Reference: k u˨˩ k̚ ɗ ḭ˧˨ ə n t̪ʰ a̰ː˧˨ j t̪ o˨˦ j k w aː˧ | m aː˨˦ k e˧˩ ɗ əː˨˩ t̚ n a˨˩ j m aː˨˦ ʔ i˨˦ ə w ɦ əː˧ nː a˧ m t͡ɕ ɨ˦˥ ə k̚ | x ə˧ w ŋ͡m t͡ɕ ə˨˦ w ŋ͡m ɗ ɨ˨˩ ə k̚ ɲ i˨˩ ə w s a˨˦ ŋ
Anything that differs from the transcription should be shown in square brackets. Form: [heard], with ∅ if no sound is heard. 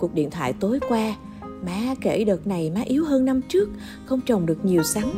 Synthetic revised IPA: k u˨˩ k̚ ɗ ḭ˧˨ ə n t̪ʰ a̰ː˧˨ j t̪ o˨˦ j k w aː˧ | m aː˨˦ k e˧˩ ɗ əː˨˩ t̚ n a˨˩ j m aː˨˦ ʔ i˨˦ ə w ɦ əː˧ nː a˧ m t͡ɕ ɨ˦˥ ə k̚ | x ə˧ w ŋ͡m t͡ɕ [ə˨˩] w ŋ͡m ɗ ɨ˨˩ ə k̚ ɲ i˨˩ ə w s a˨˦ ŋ